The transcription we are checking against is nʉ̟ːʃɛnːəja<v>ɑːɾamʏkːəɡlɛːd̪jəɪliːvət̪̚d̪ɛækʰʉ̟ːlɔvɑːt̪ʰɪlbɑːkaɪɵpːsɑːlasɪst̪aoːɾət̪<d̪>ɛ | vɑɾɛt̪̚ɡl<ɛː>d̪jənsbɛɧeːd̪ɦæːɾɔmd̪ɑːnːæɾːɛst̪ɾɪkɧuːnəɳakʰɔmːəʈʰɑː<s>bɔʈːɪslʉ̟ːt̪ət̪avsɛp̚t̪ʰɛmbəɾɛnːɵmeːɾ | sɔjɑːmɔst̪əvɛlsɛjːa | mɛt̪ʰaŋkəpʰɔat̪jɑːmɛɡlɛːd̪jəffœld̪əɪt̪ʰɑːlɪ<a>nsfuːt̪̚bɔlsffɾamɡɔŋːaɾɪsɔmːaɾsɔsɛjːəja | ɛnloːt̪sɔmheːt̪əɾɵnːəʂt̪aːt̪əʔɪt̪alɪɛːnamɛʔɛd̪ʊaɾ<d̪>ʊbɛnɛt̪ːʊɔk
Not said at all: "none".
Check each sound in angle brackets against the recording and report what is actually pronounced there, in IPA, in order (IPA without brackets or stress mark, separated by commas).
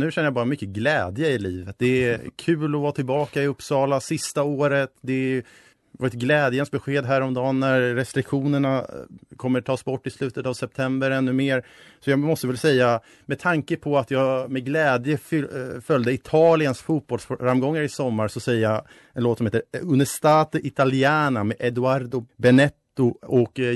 b, d̪, ɛː, s, ə, d̪